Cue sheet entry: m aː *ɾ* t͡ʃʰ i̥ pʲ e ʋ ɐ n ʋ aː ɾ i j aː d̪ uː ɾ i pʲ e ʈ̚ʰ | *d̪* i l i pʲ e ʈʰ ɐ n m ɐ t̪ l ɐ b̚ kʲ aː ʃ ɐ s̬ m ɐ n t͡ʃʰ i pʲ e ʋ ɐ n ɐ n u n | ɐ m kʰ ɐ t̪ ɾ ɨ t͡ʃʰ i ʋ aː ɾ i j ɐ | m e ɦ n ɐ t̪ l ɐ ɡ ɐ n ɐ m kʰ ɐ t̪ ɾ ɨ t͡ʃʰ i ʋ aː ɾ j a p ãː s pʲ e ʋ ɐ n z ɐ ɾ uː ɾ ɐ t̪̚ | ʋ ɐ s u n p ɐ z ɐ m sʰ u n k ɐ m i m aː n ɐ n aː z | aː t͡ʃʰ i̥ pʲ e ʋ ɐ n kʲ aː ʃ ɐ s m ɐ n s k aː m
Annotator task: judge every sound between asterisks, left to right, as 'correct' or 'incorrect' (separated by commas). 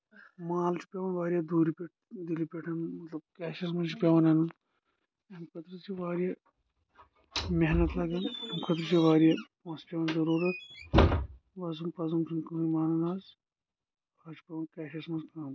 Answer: incorrect, correct